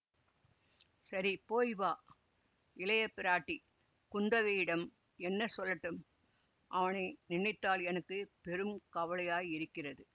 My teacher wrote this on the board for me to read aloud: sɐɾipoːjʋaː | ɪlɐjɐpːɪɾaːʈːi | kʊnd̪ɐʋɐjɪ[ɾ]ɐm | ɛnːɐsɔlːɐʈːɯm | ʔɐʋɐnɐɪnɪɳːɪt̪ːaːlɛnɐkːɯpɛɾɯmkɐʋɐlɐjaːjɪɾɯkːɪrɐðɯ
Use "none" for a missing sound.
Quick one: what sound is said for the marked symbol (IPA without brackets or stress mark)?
ɽ